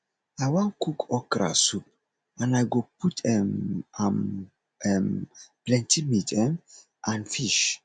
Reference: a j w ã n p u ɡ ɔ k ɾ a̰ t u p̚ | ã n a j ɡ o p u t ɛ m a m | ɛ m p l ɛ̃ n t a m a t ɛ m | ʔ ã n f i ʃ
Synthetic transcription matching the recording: a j w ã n k u k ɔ k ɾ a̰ s u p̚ | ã n a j ɡ o p u t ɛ m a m | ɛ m p l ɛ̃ n t i m i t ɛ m | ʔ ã n f i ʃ